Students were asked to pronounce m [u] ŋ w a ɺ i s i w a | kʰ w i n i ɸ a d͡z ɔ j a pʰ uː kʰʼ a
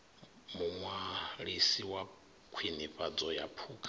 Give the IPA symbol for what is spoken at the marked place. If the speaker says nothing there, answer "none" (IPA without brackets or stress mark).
u